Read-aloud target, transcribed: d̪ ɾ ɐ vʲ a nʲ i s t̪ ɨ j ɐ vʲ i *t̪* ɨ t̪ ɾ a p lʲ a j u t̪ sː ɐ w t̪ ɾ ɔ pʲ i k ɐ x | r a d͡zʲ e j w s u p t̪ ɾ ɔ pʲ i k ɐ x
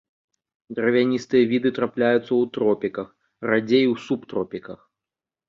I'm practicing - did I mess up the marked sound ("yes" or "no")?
yes